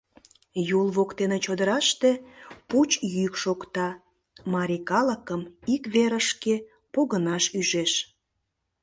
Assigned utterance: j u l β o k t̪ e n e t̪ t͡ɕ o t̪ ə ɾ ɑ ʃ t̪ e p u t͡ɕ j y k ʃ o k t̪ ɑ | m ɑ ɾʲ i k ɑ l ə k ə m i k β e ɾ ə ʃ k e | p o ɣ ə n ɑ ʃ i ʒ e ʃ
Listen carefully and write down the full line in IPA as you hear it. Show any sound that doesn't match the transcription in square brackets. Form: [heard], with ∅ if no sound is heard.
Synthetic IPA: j u l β o k t̪ e n e [∅] t͡ɕ o [d̪] ə ɾ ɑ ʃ t̪ e p u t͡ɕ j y k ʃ o k t̪ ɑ | m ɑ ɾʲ i k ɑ l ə k ə m i k β e ɾ ə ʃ k e | p o ɣ ə n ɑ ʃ [y] ʒ e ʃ